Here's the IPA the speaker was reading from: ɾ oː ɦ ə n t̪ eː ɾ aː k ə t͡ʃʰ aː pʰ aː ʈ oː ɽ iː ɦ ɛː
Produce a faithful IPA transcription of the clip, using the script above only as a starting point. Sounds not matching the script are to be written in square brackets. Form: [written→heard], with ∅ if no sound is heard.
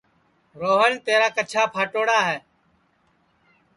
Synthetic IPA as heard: ɾ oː ɦ ə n t̪ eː ɾ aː k ə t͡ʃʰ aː pʰ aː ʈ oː ɽ [iː→aː] ɦ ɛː